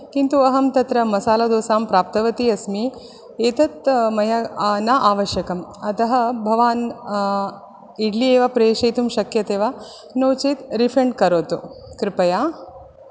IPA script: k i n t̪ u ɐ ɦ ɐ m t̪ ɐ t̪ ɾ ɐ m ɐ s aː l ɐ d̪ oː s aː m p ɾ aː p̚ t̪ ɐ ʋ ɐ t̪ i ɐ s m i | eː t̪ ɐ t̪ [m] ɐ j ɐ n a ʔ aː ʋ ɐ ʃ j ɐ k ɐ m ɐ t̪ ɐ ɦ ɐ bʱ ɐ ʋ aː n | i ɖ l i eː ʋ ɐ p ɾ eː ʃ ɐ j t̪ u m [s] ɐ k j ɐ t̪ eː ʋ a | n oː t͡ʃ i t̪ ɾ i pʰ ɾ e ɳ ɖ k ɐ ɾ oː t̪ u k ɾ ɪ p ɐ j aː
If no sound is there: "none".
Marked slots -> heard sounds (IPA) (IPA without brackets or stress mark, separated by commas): m, ʃ